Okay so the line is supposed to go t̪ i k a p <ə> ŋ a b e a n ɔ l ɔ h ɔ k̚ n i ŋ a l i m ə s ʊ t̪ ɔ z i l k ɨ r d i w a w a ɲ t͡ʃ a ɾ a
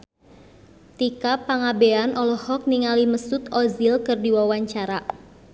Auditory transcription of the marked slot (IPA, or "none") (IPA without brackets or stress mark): a